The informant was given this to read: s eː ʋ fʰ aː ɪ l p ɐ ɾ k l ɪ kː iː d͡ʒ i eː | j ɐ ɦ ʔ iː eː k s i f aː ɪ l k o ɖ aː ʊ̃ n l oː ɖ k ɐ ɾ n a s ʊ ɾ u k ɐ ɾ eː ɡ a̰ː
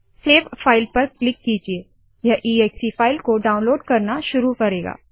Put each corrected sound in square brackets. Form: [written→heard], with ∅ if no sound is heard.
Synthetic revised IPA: s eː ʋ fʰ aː ɪ l p ɐ ɾ k l ɪ kː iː d͡ʒ i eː | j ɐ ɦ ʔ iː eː k s i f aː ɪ l k o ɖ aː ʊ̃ n l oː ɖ k ɐ ɾ n a [s→ʃ] ʊ ɾ u k ɐ ɾ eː ɡ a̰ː